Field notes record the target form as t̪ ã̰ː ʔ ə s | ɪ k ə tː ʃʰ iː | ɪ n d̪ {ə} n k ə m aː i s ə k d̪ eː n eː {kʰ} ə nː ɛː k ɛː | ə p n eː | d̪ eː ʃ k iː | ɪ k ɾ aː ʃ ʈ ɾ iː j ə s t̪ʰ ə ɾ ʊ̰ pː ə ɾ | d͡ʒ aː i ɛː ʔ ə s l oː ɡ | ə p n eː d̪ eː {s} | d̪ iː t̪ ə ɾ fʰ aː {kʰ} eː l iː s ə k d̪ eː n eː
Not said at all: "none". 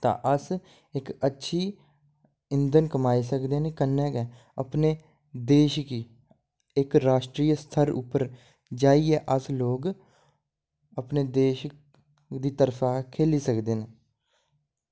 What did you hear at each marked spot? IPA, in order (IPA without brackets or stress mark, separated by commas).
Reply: ə, k, ʃ, kʰ